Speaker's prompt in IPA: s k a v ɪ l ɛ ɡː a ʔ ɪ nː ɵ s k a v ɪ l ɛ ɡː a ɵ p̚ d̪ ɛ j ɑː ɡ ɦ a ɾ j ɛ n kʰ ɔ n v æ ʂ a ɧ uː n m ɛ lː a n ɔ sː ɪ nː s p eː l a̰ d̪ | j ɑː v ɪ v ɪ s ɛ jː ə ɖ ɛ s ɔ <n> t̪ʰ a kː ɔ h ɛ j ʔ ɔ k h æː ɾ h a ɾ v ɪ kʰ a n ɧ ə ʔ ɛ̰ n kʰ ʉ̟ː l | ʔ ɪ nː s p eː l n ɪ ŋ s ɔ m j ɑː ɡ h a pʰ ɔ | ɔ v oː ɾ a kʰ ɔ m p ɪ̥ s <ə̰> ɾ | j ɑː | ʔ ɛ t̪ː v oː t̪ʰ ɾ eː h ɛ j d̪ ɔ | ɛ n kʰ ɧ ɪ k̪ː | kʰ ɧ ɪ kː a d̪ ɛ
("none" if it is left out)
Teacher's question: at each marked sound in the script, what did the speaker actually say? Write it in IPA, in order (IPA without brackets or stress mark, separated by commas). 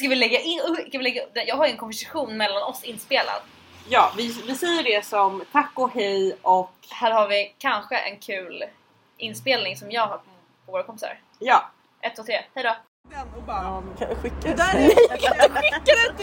m, a̰